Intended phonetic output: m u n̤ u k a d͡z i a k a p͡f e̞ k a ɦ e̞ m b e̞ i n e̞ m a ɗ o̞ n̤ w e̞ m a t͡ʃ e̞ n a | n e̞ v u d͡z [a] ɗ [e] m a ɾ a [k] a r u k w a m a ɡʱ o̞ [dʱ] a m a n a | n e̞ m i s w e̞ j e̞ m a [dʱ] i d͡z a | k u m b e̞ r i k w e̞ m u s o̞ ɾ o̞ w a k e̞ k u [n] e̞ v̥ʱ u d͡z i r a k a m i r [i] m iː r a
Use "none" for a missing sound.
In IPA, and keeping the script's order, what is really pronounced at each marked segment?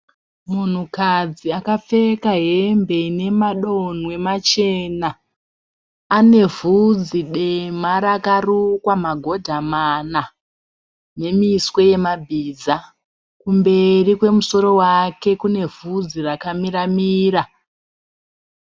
i, e, k, dʱ, bʱ, n, a

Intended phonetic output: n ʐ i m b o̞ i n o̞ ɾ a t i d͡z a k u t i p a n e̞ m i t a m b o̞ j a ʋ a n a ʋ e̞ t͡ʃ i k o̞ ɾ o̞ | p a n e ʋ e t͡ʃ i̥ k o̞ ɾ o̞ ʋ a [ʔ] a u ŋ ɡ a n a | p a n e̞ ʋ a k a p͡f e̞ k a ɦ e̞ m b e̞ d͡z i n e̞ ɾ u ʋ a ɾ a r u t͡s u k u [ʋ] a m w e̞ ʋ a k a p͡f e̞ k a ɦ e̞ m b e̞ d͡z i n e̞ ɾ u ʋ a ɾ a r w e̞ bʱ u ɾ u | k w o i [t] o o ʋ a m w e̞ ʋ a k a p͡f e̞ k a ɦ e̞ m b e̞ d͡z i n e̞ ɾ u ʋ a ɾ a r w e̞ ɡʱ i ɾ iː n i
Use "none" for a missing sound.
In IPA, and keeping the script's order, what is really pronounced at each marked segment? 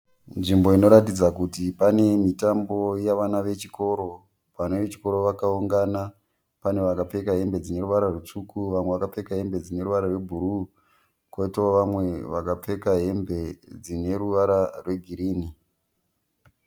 k, ʋ, t

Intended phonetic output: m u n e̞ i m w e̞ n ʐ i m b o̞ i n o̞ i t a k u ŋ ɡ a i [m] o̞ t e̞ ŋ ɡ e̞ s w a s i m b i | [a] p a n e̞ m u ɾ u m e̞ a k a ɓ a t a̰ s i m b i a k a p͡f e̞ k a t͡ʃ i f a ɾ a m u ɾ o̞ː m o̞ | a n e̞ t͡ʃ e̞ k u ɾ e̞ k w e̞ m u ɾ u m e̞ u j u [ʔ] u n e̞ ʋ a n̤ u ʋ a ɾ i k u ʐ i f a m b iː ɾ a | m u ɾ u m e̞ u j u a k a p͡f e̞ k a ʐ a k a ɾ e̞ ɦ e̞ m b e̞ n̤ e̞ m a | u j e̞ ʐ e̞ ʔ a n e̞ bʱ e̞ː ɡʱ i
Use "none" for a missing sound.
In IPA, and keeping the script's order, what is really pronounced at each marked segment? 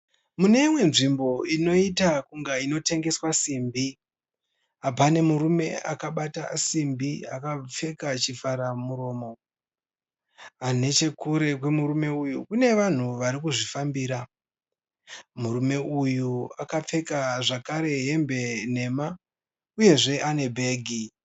n, a, k

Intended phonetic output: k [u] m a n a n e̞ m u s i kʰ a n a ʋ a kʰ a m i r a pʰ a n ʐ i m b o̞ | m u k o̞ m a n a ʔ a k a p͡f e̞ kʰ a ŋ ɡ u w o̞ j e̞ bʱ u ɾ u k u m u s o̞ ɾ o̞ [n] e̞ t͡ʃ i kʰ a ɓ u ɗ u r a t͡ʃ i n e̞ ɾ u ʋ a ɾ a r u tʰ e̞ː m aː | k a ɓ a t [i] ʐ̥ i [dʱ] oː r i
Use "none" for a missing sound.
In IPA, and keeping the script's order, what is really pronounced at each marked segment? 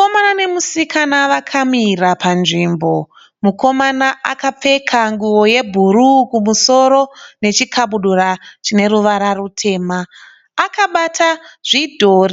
o, n, a, dʱ

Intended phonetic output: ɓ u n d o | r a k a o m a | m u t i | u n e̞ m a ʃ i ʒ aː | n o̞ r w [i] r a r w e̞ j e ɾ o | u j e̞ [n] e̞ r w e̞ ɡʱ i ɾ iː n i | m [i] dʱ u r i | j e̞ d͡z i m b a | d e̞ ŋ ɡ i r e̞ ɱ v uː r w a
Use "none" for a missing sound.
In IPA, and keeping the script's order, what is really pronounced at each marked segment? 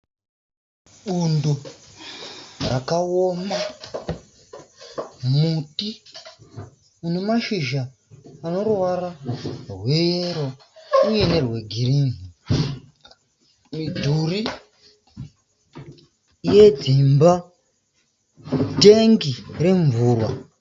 a, n, i

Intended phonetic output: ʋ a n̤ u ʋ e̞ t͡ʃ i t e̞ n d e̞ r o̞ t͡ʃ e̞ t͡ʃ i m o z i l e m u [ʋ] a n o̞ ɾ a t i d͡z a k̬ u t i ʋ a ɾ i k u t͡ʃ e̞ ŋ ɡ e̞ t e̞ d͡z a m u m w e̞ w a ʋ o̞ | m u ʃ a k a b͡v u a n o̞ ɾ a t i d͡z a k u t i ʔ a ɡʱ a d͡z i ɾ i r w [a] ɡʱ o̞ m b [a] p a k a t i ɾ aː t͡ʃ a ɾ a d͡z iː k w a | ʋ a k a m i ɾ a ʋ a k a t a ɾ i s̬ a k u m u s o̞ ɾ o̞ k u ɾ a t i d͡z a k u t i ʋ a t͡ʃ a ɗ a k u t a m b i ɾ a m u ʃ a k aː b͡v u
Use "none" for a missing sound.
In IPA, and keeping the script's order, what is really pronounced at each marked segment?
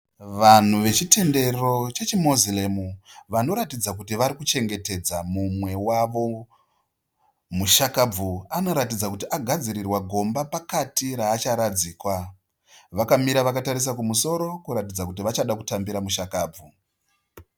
ʋ, a, a

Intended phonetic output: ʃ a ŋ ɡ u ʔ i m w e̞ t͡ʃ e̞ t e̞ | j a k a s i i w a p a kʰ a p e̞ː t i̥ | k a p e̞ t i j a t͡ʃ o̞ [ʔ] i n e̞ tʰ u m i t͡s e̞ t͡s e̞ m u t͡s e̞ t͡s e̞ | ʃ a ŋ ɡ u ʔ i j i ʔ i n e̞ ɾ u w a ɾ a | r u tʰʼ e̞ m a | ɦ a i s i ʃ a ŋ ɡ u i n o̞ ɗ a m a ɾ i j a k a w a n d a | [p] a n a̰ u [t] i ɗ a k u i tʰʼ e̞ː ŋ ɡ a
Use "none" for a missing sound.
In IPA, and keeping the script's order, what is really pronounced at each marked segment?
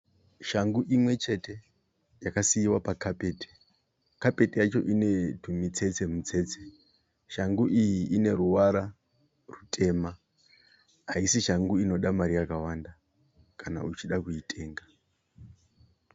ʔ, k, t͡ʃ

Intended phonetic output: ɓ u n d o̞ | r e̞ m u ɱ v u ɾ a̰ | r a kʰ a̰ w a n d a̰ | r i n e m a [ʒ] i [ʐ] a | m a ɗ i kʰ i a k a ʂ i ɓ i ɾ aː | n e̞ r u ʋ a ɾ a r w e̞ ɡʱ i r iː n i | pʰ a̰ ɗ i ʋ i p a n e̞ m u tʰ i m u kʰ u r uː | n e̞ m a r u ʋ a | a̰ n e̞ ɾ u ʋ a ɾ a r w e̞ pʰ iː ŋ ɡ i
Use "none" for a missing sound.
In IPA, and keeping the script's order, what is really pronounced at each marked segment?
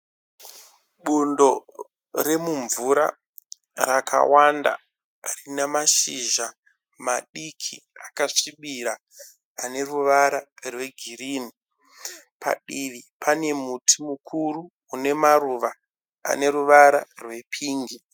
ʃ, ʒ

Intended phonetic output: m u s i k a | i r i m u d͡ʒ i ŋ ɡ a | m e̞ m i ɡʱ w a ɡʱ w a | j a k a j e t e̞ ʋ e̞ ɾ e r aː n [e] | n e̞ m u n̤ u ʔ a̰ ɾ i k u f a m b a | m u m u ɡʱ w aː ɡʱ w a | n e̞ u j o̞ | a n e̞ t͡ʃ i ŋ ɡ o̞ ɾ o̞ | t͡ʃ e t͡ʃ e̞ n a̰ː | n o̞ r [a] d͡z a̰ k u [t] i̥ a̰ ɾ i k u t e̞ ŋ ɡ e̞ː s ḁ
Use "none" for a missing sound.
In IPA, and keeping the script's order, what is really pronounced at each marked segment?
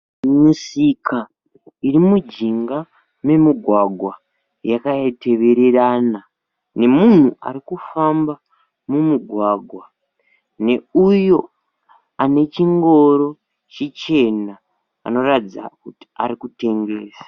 a, a, t

